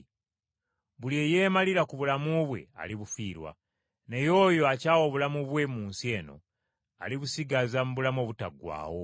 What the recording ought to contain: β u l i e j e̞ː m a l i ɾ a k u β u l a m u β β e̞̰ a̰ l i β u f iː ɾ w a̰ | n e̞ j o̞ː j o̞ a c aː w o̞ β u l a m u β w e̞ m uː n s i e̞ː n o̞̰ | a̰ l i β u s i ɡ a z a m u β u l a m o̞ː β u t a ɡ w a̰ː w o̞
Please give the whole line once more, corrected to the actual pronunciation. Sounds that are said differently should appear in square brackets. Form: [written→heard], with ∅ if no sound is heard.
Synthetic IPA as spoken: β u l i e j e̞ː m a l i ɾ a k u β u l a m u β [β→w] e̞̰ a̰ l i β u f iː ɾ w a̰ | n e̞ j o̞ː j o̞ a c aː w o̞ β u l a m u β w e̞ m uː n s i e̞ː n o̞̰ | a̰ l i β u s i ɡ a z a m u β u l a m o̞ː β u t a ɡ w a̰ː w o̞